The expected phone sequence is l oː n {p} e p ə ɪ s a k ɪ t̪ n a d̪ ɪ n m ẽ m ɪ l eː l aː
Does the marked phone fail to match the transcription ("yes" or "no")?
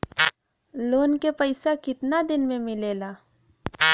yes